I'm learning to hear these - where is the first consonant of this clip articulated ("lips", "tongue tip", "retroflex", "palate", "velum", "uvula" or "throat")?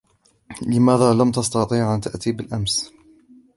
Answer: tongue tip